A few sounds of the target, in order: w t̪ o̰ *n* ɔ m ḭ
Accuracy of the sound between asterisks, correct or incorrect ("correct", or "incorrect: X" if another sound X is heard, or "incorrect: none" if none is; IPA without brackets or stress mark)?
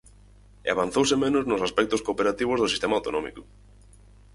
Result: correct